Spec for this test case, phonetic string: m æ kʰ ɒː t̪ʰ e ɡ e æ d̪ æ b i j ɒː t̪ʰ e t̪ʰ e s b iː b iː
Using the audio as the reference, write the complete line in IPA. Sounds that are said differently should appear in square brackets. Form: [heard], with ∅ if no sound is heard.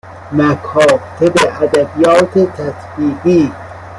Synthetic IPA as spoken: m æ kʰ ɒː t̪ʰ e [b] e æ d̪ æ b i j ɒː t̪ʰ e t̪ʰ [æ] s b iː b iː

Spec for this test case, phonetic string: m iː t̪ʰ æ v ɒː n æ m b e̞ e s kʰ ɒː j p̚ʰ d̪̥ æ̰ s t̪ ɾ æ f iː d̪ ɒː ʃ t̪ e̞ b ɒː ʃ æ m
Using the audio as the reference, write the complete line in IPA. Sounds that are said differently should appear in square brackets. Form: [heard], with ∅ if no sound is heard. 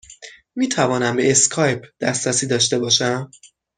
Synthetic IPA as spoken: m iː t̪ʰ æ v ɒː n æ m b e̞ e s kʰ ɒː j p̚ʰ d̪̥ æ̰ s t̪ ɾ æ [s] iː d̪ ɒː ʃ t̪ e̞ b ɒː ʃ æ m

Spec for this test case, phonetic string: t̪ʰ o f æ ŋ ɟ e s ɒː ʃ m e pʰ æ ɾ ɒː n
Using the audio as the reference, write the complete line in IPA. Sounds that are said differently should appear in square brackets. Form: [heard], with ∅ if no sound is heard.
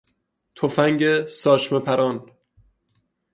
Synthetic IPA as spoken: t̪ʰ o f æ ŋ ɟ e s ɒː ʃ m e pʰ æ ɾ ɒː n

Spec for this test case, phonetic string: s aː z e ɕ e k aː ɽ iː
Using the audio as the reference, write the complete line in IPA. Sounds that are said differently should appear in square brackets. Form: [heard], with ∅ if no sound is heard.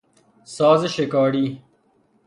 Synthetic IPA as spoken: s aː z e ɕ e k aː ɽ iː

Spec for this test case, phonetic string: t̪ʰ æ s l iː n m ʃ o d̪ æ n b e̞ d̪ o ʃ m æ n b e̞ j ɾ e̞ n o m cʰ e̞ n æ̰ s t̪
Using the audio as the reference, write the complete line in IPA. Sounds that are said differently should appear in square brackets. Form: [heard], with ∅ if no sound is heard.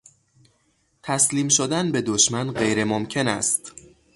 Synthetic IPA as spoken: t̪ʰ æ s l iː [∅] m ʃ o d̪ æ n b e̞ d̪ o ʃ m æ n [ɢ] e̞ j ɾ e̞ [m] o m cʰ e̞ n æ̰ s t̪

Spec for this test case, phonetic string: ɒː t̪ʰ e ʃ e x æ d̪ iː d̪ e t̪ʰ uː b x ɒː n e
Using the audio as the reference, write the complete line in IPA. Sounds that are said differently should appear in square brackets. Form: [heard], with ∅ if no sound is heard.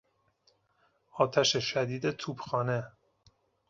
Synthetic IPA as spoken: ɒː t̪ʰ [æ] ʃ e [ʃ] æ d̪ iː d̪ e t̪ʰ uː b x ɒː n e

